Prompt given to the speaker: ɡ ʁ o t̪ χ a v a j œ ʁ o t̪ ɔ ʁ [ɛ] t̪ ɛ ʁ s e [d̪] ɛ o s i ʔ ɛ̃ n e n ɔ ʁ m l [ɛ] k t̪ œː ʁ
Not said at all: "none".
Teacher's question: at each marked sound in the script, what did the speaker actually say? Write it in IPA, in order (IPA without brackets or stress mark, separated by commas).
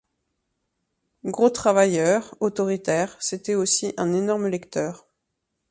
i, t̪, ɛ